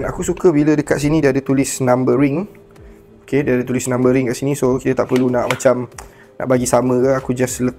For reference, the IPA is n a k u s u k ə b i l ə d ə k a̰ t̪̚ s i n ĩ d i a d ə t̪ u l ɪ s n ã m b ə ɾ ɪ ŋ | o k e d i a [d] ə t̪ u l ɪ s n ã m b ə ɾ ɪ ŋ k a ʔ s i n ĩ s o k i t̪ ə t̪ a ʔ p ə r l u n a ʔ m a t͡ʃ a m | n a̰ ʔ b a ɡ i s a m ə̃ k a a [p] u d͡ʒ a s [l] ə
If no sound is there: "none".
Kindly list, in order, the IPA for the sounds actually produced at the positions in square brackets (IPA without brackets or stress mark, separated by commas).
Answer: d, k, l